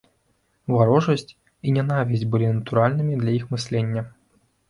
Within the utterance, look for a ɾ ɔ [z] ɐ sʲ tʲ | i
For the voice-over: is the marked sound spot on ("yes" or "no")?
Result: no